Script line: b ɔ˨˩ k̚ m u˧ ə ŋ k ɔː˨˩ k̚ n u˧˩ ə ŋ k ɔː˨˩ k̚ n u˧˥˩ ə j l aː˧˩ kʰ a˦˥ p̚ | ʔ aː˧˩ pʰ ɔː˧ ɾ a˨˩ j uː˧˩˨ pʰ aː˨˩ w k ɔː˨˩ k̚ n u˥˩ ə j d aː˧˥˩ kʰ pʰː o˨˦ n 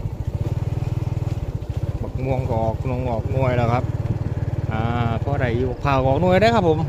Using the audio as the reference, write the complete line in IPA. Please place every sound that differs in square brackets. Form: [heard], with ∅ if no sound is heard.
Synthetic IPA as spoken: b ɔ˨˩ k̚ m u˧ ə ŋ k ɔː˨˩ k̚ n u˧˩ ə ŋ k ɔː˨˩ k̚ n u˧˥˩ ə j l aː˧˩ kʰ a˦˥ p̚ | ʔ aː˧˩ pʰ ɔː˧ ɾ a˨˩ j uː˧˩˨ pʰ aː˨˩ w k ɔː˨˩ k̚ n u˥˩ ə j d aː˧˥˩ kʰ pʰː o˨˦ [m]

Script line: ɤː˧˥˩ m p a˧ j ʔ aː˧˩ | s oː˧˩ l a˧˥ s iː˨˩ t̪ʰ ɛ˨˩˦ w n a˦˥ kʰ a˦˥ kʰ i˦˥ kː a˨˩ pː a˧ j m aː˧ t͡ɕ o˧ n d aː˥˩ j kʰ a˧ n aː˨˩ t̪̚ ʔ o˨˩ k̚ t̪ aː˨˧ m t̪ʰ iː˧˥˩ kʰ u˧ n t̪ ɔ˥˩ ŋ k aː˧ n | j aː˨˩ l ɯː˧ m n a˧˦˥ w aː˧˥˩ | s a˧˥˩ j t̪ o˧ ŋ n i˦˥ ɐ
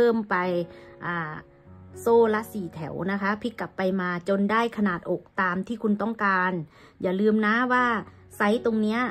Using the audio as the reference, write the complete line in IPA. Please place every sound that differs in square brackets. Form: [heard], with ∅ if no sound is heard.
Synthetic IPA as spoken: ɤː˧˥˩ m p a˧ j ʔ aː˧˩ | s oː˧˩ l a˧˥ s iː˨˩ t̪ʰ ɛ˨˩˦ w n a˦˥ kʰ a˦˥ [pʰ] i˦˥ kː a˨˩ pː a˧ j m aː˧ t͡ɕ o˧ n d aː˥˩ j kʰ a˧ n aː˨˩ t̪̚ ʔ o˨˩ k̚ t̪ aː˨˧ m t̪ʰ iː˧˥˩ kʰ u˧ n t̪ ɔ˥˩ ŋ k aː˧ n | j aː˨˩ l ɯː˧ m n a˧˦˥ w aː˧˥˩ | s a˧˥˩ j t̪ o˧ ŋ n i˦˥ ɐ

